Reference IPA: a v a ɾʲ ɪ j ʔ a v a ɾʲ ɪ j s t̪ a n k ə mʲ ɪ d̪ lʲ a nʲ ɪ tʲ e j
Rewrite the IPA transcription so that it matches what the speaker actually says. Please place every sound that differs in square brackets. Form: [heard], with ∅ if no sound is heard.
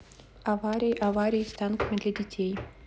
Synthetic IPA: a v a ɾʲ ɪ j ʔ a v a ɾʲ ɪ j s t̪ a n k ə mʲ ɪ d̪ lʲ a [dʲ] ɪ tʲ e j